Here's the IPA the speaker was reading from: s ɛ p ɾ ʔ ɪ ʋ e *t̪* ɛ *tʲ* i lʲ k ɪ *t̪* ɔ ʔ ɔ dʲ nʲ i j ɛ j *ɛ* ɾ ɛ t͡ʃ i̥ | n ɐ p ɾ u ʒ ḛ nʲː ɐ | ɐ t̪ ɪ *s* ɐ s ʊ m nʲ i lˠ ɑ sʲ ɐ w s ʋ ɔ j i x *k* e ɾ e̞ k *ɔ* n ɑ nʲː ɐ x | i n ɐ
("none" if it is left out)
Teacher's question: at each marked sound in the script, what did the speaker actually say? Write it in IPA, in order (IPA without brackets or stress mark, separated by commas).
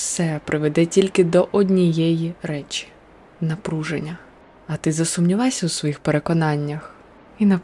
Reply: d̪, tʲ, d̪, i, z, p, ɔ